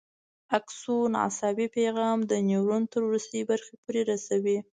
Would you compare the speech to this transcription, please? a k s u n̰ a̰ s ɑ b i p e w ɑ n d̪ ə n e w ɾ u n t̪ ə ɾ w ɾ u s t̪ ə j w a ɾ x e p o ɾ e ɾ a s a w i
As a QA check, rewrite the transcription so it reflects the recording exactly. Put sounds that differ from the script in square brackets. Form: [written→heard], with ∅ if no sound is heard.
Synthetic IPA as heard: a k s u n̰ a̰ s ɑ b i p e [w→ɣ] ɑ [n→m] d̪ ə n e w ɾ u n t̪ ə ɾ w ɾ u s t̪ ə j [w→b] a ɾ x e p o ɾ e ɾ a s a w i